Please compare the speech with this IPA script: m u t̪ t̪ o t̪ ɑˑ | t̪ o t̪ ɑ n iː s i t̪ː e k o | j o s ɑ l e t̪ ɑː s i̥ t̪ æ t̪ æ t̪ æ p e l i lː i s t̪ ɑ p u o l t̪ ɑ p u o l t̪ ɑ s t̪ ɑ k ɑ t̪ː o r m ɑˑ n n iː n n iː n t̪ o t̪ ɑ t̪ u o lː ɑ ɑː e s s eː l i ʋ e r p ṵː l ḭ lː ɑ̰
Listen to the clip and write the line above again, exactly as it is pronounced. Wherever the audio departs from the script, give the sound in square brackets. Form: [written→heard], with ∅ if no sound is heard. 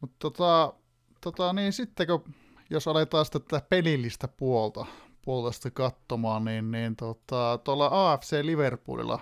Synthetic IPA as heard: m u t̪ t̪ o t̪ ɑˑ | t̪ o t̪ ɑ n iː s i t̪ː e k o | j o s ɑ l e t̪ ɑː s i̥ t̪ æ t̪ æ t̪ æ p e l i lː i s t̪ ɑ p u o l t̪ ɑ p u o l t̪ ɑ s t̪ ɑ k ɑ t̪ː o [r→∅] m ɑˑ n n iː n n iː n t̪ o t̪ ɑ t̪ u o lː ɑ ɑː e [s→f] s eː l i ʋ e r p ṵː l ḭ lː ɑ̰